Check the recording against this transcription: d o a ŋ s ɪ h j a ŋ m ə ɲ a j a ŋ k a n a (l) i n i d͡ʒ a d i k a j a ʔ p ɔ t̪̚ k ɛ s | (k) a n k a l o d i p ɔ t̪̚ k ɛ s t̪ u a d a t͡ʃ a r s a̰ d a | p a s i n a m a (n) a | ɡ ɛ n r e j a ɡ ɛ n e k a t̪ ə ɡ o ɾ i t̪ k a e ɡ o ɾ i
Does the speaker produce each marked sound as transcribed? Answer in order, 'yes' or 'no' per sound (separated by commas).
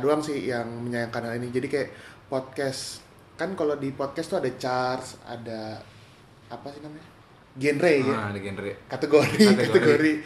yes, yes, no